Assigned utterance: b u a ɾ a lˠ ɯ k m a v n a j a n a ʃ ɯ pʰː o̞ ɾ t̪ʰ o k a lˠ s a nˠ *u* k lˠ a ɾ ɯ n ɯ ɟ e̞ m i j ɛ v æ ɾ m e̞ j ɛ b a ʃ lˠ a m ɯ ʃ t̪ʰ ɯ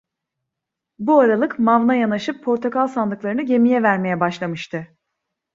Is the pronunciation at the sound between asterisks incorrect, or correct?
incorrect